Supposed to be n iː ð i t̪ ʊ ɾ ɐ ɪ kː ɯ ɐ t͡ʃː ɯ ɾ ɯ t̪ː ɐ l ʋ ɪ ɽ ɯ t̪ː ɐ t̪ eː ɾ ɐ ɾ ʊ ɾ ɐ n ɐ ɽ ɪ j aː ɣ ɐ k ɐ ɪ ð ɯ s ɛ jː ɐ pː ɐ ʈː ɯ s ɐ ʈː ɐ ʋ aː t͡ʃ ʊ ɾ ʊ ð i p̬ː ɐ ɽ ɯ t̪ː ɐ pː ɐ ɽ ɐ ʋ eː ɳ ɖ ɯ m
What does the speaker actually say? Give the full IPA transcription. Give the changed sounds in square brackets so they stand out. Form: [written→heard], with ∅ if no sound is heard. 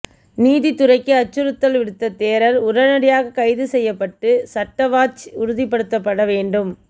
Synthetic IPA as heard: n iː ð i t̪ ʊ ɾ ɐ ɪ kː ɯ ɐ t͡ʃː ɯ ɾ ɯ t̪ː ɐ l ʋ ɪ ɽ ɯ t̪ː ɐ t̪ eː ɾ ɐ ɾ ʊ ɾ ɐ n ɐ ɽ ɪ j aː ɣ ɐ k ɐ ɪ ð ɯ s ɛ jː ɐ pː ɐ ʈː ɯ s ɐ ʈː ɐ ʋ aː t͡ʃ ʊ ɾ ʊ ð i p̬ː ɐ ɽ ɯ t̪ː ɐ pː ɐ ɽ ɐ ʋ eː ɳ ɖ ɯ m

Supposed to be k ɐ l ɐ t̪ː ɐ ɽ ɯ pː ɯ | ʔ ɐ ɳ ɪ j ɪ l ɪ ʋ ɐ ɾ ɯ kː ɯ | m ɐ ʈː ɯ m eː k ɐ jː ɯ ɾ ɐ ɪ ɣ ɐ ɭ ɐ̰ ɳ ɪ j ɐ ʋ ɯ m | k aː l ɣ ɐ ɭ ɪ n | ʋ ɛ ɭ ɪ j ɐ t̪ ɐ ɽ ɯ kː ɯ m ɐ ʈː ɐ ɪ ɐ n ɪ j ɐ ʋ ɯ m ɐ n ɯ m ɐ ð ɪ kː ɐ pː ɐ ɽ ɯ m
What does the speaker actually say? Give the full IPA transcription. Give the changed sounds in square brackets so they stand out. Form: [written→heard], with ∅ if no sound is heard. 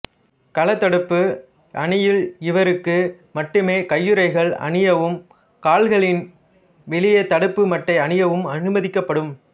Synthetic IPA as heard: k ɐ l ɐ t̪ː ɐ ɽ ɯ pː ɯ | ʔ ɐ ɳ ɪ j ɪ l ɪ ʋ ɐ ɾ ɯ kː ɯ | m ɐ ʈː ɯ m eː k ɐ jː ɯ ɾ ɐ ɪ ɣ ɐ ɭ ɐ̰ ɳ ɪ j ɐ ʋ ɯ m | k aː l ɣ ɐ ɭ ɪ n | ʋ ɛ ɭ ɪ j ɐ t̪ ɐ ɽ ɯ [kː→pː] ɯ m ɐ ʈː ɐ ɪ ɐ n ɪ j ɐ ʋ ɯ m ɐ n ɯ m ɐ ð ɪ kː ɐ pː ɐ ɽ ɯ m

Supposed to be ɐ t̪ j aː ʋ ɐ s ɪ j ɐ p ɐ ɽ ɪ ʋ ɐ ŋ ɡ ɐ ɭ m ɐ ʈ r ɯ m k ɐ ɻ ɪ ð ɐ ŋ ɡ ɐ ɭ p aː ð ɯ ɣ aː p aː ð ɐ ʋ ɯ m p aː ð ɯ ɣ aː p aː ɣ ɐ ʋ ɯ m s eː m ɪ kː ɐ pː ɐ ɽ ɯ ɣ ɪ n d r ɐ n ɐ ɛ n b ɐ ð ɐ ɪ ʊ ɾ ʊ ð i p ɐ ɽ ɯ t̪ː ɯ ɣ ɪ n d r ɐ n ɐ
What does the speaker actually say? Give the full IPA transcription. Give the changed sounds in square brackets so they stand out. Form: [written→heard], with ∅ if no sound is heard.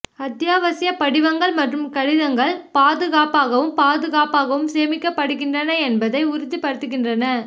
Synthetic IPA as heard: ɐ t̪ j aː ʋ ɐ s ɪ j ɐ p ɐ ɽ ɪ ʋ ɐ ŋ ɡ ɐ ɭ m ɐ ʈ r ɯ m k ɐ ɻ ɪ ð ɐ ŋ ɡ ɐ ɭ p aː ð ɯ ɣ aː p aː [ð→ɣ] ɐ ʋ ɯ m p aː ð ɯ ɣ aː p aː ɣ ɐ ʋ ɯ m s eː m ɪ kː ɐ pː ɐ ɽ ɯ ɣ ɪ n d r ɐ n ɐ ɛ n b ɐ ð ɐ ɪ ʊ ɾ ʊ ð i p ɐ ɽ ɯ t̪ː ɯ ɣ ɪ n d r ɐ n ɐ

